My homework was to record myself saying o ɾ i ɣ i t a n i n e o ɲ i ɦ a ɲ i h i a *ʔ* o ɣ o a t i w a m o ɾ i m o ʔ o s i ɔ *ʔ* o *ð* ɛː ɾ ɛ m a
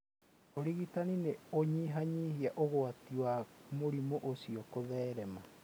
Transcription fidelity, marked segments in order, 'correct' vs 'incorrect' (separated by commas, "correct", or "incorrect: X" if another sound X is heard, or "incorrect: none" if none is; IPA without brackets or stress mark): correct, incorrect: k, correct